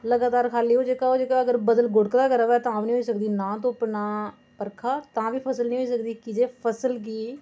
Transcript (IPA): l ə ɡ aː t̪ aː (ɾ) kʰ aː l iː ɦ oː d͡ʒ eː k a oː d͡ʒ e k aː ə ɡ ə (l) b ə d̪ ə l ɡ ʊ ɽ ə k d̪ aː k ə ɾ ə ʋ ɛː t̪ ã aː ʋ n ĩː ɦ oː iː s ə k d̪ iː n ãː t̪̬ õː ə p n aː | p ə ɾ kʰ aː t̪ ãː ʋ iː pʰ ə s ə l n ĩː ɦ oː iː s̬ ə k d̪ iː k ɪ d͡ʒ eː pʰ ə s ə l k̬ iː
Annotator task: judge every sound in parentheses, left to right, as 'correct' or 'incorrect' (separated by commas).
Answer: correct, incorrect